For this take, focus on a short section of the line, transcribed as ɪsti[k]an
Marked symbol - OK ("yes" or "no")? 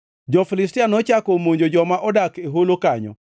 no